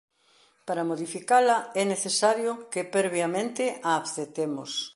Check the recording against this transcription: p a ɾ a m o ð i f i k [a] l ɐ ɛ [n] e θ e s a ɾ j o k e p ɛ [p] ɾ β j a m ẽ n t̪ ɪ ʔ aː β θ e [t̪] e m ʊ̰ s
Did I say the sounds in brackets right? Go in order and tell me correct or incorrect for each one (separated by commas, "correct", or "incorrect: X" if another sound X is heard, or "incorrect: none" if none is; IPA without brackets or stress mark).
correct, correct, incorrect: none, correct